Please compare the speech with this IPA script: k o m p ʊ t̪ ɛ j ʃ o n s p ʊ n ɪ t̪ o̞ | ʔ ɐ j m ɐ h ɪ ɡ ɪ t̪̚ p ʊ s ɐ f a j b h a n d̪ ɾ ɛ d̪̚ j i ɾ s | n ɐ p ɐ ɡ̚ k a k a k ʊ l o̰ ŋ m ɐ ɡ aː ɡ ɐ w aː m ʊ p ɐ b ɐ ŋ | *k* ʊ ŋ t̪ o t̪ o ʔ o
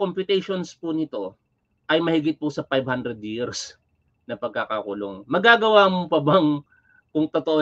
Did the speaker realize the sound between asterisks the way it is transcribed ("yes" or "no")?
yes